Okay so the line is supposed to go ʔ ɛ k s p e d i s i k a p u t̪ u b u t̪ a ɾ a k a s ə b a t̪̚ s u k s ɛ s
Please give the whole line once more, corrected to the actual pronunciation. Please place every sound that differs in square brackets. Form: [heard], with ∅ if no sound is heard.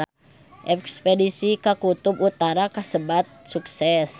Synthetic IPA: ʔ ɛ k s p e d i s i k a [k] u t̪ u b u t̪ a ɾ a k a s ə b a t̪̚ s u k s ɛ s